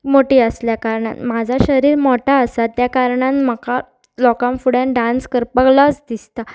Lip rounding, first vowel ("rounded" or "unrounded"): rounded